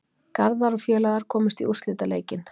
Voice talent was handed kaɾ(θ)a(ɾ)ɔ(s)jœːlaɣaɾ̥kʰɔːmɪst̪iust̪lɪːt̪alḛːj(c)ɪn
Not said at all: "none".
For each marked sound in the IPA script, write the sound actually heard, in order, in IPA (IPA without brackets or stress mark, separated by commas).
ð, ɾ, f, c